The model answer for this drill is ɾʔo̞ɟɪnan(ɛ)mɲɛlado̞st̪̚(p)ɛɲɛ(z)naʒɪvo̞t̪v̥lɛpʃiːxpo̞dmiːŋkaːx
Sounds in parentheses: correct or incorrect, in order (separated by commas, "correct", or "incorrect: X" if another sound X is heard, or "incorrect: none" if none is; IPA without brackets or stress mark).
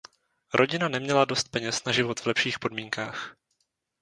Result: correct, correct, incorrect: s